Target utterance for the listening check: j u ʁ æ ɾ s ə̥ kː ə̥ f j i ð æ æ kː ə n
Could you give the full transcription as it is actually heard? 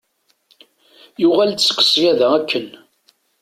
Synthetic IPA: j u ʁ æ l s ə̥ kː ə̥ s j æ ð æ æ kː ə n